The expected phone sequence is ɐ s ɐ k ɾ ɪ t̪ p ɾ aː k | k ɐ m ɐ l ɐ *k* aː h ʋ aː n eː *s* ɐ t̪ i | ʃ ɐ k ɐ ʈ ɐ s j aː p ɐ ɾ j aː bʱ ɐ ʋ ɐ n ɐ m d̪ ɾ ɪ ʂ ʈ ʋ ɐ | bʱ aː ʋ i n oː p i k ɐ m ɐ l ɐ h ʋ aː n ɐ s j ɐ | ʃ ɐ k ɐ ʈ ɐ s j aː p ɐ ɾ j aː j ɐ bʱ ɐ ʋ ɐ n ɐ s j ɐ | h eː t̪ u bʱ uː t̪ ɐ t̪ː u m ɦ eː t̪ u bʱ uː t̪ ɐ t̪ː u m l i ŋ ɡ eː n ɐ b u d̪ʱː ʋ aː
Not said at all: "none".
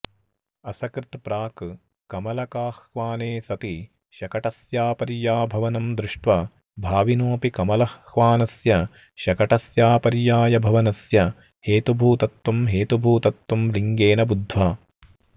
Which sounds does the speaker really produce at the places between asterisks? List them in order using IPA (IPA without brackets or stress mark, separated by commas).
k, s